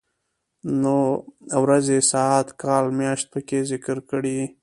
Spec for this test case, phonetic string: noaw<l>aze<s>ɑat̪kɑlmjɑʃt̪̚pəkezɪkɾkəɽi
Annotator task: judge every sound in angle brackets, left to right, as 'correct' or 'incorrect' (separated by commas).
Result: incorrect, correct